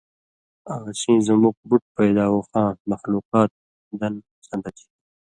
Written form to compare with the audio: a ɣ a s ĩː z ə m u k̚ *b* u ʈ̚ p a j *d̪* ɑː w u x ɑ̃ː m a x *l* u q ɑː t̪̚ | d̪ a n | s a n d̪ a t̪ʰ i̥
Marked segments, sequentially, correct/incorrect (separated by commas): correct, correct, correct